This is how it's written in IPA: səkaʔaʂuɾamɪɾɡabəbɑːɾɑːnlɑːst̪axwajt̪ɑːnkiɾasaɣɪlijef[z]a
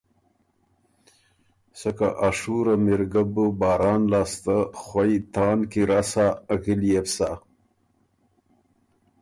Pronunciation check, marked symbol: incorrect: s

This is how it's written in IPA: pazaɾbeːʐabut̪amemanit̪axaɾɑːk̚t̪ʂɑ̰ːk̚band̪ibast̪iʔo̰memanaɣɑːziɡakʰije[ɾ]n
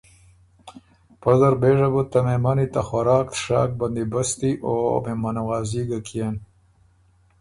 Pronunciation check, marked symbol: incorrect: none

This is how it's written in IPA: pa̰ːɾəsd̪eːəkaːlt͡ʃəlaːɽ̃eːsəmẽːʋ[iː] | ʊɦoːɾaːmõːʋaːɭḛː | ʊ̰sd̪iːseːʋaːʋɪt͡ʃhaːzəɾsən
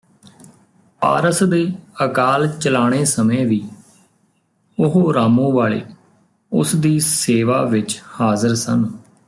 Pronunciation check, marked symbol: correct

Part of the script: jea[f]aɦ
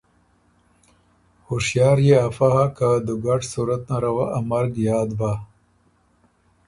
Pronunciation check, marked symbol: correct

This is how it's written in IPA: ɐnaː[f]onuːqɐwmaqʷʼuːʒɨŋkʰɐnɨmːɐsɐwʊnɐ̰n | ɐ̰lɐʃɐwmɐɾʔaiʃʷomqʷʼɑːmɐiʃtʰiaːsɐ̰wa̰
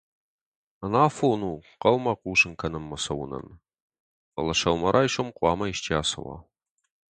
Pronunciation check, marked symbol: correct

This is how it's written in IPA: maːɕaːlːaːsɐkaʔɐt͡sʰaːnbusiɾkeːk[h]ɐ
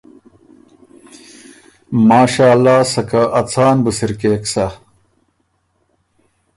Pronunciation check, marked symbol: incorrect: s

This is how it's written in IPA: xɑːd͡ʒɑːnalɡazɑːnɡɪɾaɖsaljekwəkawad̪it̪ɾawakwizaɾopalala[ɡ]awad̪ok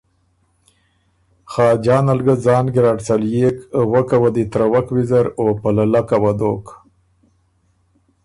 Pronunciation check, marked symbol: incorrect: k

